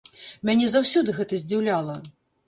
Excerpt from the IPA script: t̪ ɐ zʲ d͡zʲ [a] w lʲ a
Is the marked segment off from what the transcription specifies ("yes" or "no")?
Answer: yes